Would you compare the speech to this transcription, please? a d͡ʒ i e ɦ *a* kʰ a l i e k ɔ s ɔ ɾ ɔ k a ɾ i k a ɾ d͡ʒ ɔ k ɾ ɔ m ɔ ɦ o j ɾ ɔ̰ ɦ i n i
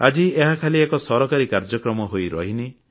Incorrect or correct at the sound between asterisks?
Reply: correct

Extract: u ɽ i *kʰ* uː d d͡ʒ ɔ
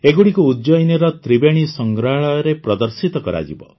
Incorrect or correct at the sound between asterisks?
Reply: incorrect: k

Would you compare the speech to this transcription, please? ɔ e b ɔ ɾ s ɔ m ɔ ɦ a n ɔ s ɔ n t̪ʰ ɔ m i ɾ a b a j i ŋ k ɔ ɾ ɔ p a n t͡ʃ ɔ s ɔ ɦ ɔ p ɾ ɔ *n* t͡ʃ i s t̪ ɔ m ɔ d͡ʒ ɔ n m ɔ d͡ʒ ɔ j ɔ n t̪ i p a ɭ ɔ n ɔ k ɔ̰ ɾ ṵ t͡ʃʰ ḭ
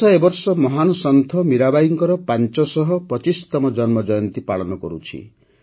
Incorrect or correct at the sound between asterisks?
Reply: incorrect: none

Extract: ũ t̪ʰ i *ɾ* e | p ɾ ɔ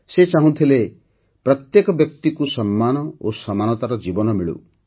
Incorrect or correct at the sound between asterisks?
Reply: incorrect: l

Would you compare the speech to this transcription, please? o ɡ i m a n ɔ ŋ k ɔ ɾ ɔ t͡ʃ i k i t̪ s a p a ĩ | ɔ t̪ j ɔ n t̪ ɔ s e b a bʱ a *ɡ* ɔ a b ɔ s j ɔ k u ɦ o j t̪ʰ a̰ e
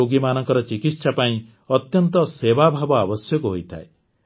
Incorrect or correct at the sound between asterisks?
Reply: incorrect: b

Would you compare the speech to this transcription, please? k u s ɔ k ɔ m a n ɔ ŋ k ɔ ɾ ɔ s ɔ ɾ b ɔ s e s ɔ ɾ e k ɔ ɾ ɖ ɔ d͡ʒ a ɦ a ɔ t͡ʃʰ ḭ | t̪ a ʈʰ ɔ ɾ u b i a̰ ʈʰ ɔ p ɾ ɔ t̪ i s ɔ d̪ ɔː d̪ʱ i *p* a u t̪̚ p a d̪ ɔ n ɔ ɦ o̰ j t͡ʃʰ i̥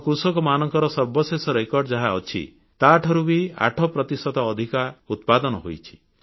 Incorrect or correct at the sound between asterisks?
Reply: incorrect: k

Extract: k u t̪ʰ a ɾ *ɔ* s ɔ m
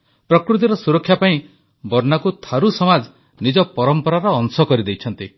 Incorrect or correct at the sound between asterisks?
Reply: incorrect: u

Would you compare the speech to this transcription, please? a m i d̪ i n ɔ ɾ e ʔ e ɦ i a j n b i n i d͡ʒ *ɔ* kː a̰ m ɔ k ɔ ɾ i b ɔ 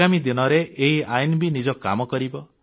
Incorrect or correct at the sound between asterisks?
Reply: correct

